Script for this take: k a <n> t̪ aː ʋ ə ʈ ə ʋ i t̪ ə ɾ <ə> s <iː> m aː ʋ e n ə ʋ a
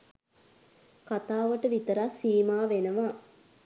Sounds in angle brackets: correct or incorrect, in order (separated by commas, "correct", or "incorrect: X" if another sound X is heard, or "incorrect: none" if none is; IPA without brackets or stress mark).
incorrect: none, incorrect: a, correct